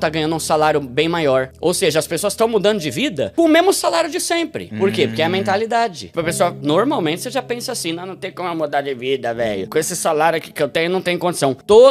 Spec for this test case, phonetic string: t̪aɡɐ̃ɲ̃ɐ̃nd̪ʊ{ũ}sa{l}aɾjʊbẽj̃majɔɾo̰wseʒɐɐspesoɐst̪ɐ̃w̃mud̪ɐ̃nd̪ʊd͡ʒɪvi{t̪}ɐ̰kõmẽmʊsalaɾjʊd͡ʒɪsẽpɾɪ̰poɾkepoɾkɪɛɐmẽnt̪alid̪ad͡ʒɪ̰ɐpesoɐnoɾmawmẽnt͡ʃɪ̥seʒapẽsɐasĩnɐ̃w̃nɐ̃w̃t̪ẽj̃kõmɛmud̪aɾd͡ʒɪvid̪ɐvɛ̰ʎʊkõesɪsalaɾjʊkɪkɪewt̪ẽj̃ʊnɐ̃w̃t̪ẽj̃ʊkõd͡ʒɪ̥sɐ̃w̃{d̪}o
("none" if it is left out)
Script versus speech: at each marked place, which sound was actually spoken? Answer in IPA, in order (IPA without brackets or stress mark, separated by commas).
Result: ũ, l, d̪, t̪